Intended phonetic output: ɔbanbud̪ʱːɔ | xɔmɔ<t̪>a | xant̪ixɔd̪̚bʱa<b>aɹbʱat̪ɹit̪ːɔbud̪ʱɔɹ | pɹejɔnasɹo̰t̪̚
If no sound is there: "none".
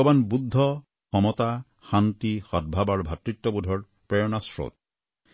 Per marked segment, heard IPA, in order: t̪, b

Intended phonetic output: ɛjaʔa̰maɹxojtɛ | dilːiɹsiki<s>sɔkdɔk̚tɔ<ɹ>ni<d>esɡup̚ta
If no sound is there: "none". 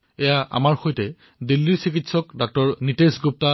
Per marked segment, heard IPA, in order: t, ɹ, t

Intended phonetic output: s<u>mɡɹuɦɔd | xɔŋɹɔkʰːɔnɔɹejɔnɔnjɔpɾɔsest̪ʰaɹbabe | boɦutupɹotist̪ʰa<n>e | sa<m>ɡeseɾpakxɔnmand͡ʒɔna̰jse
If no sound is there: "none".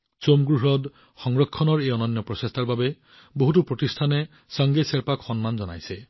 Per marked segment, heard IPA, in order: o, n, ŋ

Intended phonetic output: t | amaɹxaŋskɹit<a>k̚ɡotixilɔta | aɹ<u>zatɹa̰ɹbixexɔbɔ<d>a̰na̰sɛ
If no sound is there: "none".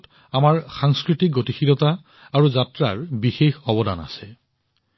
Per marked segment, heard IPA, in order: i, u, d

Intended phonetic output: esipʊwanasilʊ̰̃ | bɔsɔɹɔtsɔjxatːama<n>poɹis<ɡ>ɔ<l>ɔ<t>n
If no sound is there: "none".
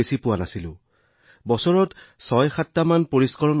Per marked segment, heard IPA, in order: n, k, ɹ, none

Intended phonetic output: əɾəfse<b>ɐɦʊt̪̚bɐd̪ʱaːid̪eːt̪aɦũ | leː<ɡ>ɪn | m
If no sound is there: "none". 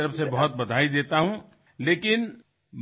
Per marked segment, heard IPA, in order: b, k

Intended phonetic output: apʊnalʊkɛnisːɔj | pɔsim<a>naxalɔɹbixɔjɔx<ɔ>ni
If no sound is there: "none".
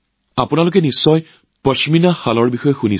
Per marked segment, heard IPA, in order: i, u

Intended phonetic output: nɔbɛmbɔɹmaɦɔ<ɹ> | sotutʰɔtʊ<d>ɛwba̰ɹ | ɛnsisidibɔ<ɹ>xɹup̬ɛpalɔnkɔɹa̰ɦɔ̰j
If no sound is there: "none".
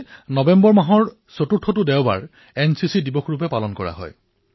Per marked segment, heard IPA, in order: ɹ, d, none

